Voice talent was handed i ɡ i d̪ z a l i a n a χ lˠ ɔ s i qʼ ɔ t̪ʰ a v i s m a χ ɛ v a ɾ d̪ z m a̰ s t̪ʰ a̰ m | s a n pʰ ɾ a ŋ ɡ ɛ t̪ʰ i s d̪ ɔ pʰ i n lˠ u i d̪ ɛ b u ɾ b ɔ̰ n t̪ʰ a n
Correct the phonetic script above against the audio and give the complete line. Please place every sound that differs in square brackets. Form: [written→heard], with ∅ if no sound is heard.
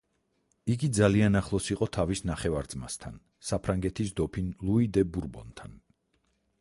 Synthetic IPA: i ɡ i d̪ z a l i a n a χ lˠ ɔ s i qʼ ɔ t̪ʰ a v i s [m→n] a χ ɛ v a ɾ d̪ z m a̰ s t̪ʰ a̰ [m→n] | s a [n→∅] pʰ ɾ a ŋ ɡ ɛ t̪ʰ i s d̪ ɔ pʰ i n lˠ u i d̪ ɛ b u ɾ b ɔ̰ n t̪ʰ a n